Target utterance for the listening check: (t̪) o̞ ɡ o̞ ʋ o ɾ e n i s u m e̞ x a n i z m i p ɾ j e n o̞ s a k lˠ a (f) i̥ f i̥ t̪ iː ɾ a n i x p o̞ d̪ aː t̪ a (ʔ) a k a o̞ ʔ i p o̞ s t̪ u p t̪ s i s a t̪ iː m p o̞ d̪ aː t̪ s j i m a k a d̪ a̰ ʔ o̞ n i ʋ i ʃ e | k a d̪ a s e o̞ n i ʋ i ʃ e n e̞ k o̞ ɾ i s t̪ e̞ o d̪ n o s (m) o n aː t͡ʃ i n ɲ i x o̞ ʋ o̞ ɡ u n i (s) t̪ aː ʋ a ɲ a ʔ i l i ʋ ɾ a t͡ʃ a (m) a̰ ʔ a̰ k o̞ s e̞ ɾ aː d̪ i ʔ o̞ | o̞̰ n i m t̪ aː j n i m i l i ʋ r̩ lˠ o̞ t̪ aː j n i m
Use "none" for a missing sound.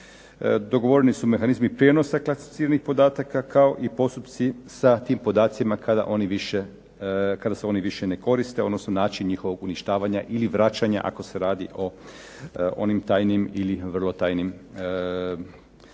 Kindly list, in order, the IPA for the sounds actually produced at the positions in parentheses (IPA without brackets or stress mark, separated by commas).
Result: d̪, s, k, n, ʃ, ɲ